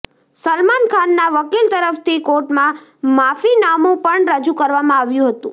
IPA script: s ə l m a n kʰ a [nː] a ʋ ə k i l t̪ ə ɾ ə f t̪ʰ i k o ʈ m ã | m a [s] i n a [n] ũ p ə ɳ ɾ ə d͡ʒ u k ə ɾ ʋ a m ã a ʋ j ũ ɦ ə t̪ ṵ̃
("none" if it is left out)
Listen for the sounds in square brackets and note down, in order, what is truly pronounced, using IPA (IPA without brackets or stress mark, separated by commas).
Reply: nː, f, m